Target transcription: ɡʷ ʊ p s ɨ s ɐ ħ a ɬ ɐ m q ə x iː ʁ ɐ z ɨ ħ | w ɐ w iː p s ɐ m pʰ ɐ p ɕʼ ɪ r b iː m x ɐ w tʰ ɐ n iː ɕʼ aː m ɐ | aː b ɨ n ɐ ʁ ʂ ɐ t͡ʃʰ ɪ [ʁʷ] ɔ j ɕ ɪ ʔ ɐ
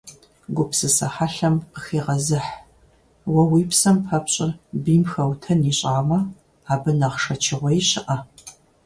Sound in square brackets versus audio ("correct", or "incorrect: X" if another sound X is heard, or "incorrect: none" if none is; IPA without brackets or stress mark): correct